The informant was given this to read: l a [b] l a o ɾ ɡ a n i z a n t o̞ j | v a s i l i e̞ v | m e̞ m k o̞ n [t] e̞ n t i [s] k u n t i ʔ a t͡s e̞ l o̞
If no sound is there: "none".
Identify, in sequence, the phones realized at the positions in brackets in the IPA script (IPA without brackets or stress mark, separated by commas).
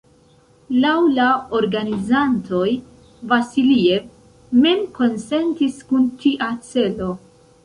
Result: w, s, s